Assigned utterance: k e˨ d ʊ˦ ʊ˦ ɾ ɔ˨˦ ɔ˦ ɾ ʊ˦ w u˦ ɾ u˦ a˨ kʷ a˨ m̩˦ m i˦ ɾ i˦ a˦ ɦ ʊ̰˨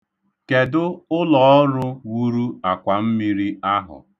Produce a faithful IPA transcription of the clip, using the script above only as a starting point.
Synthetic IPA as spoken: k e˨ d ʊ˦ ʊ˦ l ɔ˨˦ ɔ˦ ɾ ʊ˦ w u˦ ɾ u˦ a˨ kʷ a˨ m̩˦ m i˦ ɾ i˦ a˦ ɦ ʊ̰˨